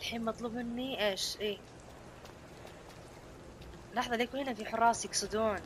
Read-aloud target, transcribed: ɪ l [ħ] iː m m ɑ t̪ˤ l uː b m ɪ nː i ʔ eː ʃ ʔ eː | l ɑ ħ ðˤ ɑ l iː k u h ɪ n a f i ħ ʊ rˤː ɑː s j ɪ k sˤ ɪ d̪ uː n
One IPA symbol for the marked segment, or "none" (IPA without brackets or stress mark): ħ